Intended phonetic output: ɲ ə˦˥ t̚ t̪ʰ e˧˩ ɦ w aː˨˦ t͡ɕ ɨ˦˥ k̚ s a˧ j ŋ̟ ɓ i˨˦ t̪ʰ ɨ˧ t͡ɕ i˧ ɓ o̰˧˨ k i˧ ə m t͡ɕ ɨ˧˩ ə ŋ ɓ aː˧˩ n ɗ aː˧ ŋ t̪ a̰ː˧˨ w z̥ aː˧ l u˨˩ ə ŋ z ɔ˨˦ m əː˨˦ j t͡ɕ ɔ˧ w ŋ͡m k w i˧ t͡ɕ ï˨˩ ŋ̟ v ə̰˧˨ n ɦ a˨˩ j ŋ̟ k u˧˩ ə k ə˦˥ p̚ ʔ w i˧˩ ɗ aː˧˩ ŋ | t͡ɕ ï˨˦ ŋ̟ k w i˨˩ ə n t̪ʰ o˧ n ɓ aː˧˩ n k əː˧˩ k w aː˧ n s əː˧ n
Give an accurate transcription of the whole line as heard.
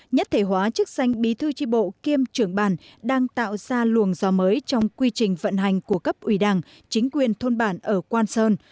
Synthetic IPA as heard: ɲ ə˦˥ t̚ t̪ʰ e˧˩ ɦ w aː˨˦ t͡ɕ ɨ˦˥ k̚ s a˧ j ŋ̟ ɓ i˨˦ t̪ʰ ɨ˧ t͡ɕ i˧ ɓ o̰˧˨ k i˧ ə m t͡ɕ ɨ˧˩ ə ŋ ɓ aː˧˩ n ɗ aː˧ ŋ t̪ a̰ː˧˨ w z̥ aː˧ l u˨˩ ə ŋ z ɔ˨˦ m əː˨˦ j t͡ɕ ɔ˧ w ŋ͡m k w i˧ t͡ɕ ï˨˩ ŋ̟ v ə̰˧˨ n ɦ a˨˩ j ŋ̟ k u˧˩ ə k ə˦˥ p̚ ʔ w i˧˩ ɗ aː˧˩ ŋ | t͡ɕ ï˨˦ ŋ̟ k w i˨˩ ə n t̪ʰ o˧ n ɓ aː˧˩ n ʔ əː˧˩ k w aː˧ n s əː˧ n